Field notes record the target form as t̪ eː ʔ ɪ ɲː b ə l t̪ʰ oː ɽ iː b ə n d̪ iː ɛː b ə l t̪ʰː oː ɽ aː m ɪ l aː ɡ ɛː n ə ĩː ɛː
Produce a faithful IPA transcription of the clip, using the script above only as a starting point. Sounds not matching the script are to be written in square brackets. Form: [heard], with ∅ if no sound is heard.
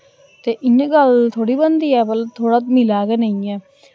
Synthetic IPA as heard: t̪ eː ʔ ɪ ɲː [ɡ] ə l t̪ʰ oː ɽ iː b ə n d̪ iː ɛː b ə l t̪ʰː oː ɽ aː m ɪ l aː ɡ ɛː n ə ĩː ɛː